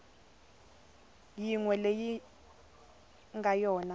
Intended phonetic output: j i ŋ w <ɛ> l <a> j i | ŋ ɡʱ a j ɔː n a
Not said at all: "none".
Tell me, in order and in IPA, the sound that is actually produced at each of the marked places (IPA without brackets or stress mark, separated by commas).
ɛ, e